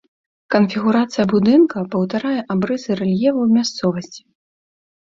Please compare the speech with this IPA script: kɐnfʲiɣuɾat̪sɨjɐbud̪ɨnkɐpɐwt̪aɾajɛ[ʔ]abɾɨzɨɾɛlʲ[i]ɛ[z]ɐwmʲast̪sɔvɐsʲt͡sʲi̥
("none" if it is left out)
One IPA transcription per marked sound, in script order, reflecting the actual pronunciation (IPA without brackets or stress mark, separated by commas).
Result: ʔ, j, v